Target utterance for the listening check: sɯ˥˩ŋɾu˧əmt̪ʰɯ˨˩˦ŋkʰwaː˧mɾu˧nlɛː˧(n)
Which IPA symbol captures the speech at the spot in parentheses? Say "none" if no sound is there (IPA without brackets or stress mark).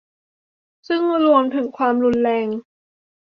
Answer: ŋ